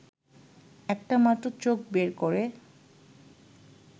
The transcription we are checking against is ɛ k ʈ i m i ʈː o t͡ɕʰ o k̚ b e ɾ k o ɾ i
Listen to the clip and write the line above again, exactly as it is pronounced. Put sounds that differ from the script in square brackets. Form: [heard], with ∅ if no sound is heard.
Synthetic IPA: ɛ k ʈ [a] m [a] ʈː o [t͡ɕ] o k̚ b e ɾ k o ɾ [e]